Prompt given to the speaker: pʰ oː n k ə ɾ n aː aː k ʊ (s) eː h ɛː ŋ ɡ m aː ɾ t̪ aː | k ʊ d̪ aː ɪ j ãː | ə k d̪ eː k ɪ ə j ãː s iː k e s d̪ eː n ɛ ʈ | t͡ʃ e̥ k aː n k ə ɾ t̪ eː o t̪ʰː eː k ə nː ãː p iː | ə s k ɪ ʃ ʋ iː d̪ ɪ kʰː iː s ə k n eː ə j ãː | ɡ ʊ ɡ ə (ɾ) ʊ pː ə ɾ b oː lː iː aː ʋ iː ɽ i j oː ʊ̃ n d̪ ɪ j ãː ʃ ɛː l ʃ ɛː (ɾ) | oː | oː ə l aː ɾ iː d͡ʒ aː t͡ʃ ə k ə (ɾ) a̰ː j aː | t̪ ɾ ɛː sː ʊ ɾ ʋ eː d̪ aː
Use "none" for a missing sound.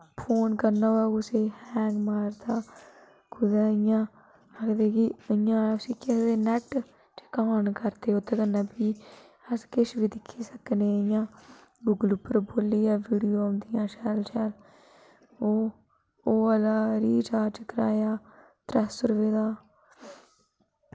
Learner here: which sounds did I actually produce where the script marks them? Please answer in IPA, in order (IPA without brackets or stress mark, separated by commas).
s, l, l, ɾ